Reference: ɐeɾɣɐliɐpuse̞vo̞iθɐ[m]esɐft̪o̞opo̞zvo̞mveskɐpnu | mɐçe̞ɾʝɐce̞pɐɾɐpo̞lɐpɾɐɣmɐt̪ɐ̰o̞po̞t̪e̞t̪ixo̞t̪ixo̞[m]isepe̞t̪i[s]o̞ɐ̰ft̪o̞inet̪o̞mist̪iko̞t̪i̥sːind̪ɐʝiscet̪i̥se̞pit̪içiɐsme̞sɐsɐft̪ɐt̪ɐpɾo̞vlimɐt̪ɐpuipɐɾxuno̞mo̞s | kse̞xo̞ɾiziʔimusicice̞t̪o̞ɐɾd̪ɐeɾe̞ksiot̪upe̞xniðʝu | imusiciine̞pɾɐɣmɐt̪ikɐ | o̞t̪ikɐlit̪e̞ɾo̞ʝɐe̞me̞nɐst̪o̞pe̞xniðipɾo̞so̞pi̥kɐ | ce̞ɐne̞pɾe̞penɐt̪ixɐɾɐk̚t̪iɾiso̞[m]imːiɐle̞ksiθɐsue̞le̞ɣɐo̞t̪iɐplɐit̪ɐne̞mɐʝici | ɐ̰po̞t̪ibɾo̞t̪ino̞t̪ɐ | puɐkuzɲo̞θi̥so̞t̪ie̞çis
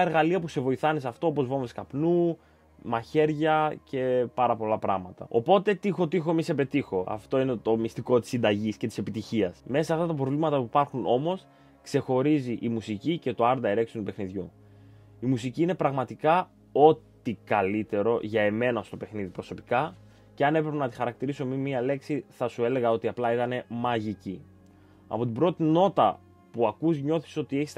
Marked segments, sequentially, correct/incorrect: incorrect: n, correct, incorrect: x, correct

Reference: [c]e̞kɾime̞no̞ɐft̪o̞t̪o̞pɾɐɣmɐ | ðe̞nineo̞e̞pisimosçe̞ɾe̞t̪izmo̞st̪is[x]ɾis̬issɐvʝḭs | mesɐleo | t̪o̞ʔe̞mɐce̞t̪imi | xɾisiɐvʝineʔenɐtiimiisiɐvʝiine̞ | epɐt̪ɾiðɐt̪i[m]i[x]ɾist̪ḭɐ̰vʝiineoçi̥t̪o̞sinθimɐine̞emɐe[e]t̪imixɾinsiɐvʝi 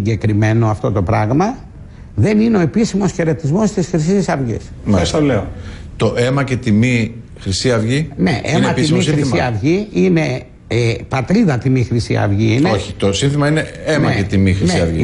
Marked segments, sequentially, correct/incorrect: incorrect: ɟ, correct, correct, correct, correct

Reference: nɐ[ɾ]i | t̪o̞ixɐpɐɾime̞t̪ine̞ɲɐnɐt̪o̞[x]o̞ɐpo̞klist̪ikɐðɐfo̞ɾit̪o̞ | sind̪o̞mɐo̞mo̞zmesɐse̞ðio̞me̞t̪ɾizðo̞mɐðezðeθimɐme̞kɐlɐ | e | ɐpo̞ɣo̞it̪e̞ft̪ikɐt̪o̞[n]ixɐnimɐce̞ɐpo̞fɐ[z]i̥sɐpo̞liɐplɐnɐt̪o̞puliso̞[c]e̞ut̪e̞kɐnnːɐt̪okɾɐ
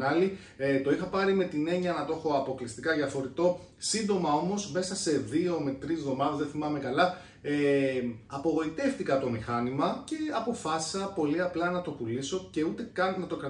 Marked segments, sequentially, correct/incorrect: incorrect: l, correct, incorrect: m, incorrect: s, correct

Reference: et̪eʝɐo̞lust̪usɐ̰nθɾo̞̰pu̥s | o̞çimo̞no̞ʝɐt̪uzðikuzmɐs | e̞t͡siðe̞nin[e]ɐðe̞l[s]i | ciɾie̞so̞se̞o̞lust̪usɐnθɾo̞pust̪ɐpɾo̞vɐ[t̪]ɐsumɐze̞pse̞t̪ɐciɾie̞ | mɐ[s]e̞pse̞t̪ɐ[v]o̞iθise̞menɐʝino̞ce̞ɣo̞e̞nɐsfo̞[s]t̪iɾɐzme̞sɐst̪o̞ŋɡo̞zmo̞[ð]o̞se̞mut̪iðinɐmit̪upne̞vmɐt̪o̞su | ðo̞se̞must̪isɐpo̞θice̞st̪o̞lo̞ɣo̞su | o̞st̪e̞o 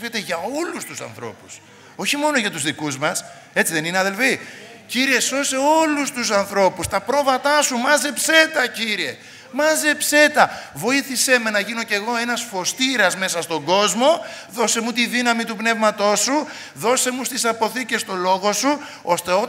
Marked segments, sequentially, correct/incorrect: correct, incorrect: f, correct, incorrect: z, correct, correct, correct

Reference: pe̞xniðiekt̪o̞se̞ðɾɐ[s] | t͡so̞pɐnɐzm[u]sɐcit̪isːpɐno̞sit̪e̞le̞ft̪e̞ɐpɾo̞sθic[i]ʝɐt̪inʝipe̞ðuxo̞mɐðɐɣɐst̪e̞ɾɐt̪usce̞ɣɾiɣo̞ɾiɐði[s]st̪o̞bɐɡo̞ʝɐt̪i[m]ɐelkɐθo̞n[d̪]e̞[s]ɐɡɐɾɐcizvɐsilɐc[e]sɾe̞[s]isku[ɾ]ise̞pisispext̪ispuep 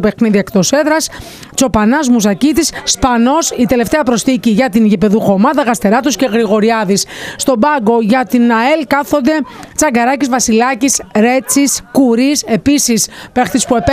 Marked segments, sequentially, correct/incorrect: correct, correct, correct, correct, incorrect: n, correct, incorrect: t͡s, incorrect: i, incorrect: t͡s, correct

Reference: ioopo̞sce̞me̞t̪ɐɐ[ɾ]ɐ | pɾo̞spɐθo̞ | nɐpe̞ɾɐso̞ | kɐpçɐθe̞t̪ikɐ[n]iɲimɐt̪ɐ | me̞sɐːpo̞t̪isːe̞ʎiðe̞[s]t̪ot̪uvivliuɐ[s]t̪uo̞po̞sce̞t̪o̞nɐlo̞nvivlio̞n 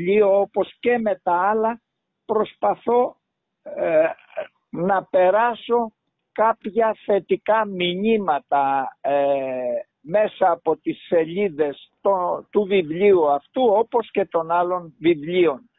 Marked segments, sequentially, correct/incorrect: incorrect: l, incorrect: m, correct, incorrect: f

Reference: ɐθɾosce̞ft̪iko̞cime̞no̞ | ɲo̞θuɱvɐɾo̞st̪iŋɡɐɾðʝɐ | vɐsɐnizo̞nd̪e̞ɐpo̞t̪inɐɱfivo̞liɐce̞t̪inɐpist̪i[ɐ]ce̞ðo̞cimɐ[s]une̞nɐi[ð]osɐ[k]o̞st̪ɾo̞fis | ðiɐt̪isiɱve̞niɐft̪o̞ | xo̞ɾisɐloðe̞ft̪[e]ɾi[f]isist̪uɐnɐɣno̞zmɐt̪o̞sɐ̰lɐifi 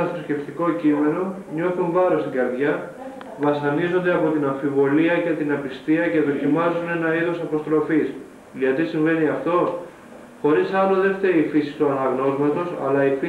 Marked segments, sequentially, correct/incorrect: correct, incorrect: z, correct, incorrect: p, correct, correct

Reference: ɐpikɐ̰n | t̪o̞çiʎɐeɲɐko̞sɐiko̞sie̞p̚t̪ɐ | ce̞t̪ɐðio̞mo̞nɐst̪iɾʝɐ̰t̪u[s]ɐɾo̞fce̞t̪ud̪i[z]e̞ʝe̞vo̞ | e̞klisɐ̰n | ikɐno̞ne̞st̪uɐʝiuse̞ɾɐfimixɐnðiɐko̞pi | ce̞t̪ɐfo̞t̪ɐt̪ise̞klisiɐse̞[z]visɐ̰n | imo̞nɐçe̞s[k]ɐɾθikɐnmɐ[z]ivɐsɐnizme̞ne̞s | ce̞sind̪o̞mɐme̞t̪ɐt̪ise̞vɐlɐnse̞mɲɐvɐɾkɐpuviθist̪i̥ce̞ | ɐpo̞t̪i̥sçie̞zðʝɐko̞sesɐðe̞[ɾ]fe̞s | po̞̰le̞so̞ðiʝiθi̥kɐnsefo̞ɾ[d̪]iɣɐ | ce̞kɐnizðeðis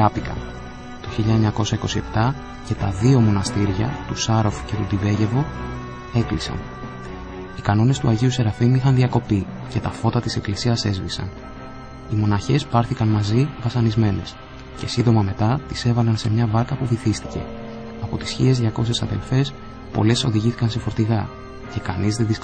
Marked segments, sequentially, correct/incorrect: correct, incorrect: v, correct, incorrect: p, correct, incorrect: l, incorrect: t̪

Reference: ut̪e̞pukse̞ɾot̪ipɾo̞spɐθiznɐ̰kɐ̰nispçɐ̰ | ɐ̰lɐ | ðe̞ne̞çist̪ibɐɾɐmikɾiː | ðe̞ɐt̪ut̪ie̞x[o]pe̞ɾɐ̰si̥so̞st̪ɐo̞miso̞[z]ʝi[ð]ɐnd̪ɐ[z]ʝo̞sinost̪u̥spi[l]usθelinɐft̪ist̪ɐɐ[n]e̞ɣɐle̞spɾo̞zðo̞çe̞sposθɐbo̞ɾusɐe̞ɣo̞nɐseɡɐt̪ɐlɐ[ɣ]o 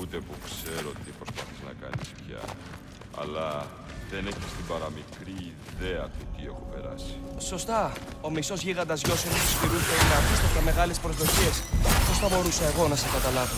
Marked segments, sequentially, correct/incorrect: correct, correct, incorrect: ɣ, correct, incorrect: ɾ, incorrect: m, incorrect: v

